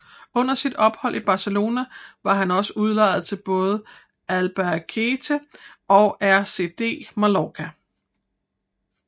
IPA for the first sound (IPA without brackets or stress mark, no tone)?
ɔ̽